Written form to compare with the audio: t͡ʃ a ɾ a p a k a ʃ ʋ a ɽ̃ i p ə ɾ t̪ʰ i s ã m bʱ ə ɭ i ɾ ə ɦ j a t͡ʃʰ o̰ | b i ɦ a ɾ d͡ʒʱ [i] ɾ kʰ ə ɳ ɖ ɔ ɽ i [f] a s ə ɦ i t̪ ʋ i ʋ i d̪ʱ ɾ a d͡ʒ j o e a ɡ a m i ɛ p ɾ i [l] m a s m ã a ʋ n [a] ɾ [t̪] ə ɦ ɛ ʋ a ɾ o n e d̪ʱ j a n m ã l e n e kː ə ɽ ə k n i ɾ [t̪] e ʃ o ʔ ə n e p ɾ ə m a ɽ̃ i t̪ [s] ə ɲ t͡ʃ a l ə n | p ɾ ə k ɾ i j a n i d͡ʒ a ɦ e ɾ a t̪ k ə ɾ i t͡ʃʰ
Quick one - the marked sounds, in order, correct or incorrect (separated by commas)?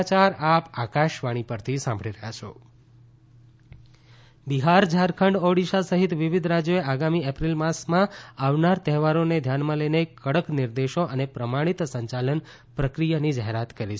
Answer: incorrect, incorrect, correct, correct, correct, incorrect, correct